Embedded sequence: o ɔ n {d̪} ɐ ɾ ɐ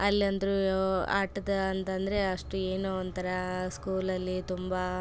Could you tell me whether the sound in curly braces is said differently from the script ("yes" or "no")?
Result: yes